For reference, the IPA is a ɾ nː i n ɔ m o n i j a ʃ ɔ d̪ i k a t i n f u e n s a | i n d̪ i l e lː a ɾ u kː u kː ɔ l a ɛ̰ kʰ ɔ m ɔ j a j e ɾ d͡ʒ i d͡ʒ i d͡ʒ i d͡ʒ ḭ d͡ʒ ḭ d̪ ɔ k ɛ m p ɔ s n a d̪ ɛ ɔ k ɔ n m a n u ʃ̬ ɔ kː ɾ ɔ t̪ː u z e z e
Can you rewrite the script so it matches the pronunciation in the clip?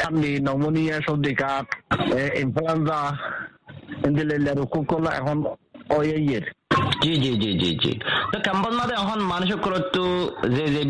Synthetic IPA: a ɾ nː i n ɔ m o n i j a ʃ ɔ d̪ i k a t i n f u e n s a | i n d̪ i l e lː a ɾ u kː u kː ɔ l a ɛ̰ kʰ ɔ n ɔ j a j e ɾ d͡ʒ i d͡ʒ i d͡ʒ i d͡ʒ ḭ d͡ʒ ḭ t̪ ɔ k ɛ m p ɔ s m a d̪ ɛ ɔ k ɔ n m a n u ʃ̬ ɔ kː ɾ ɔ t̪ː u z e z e